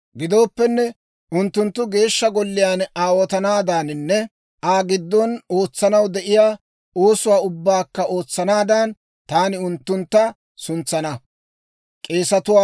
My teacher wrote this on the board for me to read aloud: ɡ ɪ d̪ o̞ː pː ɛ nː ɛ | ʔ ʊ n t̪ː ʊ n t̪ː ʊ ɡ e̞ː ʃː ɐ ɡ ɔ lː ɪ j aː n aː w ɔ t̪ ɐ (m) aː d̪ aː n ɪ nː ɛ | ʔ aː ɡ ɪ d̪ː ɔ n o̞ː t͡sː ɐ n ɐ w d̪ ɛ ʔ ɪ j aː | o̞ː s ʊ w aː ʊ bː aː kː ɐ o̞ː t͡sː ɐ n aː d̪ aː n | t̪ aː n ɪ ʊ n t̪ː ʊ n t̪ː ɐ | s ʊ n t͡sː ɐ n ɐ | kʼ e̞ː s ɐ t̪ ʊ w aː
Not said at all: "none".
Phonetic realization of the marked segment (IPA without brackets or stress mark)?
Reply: n